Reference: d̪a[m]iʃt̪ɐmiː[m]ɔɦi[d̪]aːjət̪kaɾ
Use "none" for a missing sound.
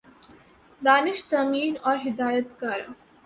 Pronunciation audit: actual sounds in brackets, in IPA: n, n, d̪

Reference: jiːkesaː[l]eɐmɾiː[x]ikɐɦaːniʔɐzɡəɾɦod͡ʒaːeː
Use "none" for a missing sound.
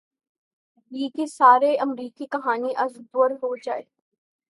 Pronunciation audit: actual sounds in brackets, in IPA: ɾ, k

